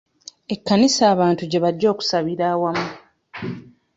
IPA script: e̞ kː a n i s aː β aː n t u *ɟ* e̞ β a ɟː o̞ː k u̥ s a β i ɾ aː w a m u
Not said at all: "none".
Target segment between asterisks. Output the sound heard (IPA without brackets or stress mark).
ɟ